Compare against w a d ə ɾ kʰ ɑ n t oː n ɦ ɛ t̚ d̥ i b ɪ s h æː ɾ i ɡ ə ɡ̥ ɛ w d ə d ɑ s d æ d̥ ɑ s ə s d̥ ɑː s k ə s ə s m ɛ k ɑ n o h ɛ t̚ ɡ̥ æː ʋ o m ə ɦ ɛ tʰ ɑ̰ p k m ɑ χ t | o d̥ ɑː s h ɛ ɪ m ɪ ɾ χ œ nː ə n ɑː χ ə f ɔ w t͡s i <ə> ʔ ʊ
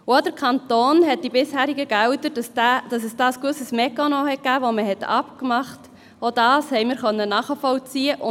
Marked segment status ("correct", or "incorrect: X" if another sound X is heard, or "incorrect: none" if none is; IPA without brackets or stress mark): correct